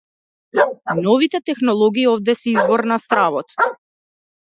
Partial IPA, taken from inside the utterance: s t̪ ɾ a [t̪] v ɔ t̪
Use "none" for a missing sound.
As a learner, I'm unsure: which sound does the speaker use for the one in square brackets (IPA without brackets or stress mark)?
none